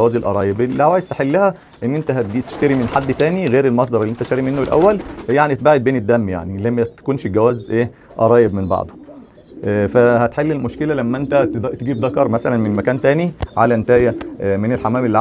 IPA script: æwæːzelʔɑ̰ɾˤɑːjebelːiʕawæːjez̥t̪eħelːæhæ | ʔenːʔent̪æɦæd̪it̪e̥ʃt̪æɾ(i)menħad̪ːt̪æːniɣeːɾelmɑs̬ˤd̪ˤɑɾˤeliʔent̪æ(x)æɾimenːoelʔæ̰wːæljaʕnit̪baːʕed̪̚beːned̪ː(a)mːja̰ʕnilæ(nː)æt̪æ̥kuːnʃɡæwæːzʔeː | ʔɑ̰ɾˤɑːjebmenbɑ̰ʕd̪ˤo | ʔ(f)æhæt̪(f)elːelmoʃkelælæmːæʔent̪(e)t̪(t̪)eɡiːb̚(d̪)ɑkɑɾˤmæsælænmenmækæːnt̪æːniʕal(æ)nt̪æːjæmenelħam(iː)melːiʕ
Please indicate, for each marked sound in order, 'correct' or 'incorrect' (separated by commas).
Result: correct, incorrect, incorrect, incorrect, correct, incorrect, incorrect, correct, correct, correct, incorrect